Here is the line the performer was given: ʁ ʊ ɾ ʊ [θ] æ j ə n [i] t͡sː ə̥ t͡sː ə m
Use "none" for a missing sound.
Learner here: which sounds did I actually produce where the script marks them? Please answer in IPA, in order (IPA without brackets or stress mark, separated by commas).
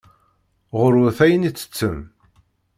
θ, i